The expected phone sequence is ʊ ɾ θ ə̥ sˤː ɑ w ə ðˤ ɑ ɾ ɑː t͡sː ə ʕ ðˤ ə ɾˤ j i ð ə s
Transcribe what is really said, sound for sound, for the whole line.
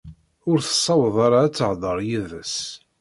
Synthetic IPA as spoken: ʊ ɾ θ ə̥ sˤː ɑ w ə ðˤ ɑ ɾ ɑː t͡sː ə ʕ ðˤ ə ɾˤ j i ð ə s

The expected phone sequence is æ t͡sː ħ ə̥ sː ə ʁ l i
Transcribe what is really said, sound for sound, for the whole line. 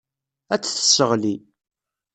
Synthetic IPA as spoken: æ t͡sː θ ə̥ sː ə ʁ l i

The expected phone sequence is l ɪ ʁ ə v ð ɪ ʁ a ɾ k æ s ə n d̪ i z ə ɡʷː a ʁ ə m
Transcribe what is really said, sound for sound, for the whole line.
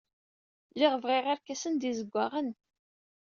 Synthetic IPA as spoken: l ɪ ʁ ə v ʁ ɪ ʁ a ɾ k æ s ə n d̪ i z ə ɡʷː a ʁ ə n

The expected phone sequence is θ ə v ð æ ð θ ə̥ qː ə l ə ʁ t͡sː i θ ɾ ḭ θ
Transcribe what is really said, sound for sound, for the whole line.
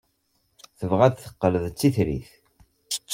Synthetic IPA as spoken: θ ə v ʁ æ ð θ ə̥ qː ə l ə ð t͡sː i θ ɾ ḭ θ

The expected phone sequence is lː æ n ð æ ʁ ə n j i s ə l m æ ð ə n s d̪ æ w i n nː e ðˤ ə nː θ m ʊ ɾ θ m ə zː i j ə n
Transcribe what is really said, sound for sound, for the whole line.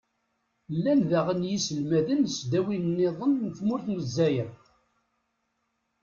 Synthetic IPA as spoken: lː æ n ð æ ʁ ə n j i s ə l m æ ð ə n s d̪ æ w i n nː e ðˤ ə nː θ m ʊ ɾ θ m ə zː æ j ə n

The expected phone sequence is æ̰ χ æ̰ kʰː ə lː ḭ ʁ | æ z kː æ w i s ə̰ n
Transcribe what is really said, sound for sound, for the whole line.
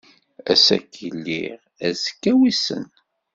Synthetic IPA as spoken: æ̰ s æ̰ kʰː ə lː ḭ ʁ | æ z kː æ w i s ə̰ n

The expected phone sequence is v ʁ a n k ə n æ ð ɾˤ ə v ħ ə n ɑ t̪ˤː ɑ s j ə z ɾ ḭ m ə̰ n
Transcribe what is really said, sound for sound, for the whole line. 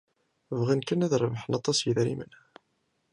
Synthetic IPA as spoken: v ʁ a n k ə n æ ð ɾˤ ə v ħ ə n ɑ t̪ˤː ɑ s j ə ð ɾ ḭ m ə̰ n

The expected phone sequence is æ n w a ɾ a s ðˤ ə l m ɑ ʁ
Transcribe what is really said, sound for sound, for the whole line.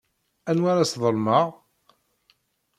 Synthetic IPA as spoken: æ n w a ɾ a s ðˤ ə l m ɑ ʁ

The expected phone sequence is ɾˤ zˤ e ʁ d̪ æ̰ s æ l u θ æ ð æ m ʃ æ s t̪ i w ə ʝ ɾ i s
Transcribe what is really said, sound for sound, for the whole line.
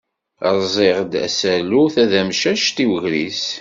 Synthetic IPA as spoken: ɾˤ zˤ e ʁ d̪ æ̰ s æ l u θ æ ð æ m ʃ æ ʃ t̪ i w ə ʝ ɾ i s

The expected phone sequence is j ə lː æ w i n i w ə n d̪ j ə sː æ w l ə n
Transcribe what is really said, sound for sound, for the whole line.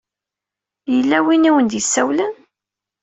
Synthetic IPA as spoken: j ə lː æ w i n i w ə n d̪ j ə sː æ w l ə n

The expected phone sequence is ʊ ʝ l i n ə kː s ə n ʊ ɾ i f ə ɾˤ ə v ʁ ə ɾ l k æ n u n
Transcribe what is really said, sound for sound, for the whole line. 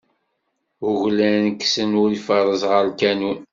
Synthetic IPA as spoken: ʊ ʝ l æ n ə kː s ə n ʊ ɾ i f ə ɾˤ ə z ʁ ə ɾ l k æ n u n

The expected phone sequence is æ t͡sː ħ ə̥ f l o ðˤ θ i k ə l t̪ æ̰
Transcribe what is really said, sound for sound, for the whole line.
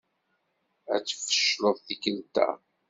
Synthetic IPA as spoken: æ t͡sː f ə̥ ʃ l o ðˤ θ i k ə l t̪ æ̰

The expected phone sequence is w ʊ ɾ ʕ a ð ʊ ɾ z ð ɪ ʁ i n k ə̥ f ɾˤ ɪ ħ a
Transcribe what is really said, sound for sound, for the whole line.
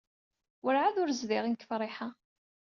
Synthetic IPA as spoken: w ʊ ɾ ʕ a ð ʊ ɾ z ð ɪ ʁ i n k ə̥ f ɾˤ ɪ ħ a

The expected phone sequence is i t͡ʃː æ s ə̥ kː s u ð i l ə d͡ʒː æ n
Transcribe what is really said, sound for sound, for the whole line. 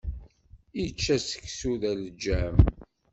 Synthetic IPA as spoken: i t͡ʃː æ s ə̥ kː s u ð æ l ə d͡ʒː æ m

